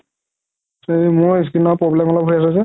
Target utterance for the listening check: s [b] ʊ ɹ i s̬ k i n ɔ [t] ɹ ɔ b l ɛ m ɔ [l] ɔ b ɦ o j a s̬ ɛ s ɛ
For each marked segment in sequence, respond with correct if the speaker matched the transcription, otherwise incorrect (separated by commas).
incorrect, incorrect, correct